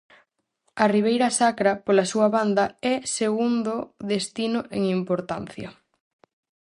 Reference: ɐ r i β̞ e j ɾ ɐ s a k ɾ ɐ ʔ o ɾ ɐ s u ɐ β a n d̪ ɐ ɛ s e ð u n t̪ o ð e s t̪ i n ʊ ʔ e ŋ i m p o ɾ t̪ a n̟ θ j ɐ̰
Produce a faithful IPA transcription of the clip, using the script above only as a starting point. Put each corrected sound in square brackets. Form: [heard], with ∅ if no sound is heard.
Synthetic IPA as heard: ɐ r i β̞ e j ɾ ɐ s a k ɾ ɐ [p] o [l] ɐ s u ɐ β a n d̪ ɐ ɛ s e [ɣ] u n [d̪] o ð e s t̪ i n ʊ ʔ e ŋ i m p o ɾ t̪ a n̟ θ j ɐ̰